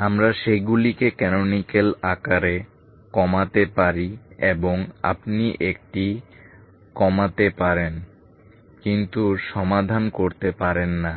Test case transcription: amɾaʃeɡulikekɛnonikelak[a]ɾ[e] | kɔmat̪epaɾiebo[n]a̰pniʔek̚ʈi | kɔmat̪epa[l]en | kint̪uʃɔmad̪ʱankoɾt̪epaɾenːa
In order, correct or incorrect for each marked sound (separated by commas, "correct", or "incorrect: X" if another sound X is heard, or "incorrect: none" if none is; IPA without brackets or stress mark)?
correct, correct, incorrect: ŋ, incorrect: ɾ